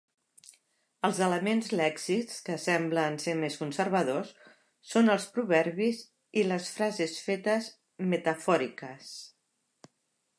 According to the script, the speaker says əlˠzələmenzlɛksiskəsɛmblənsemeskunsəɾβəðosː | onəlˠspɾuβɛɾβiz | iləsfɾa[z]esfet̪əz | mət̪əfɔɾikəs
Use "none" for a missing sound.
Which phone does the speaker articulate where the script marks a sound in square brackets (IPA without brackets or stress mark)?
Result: z